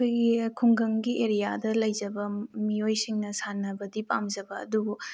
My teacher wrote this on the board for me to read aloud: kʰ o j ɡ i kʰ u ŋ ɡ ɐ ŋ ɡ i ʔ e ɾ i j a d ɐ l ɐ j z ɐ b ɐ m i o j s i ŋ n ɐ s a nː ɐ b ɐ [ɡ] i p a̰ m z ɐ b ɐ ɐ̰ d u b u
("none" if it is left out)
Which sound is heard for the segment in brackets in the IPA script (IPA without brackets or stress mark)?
d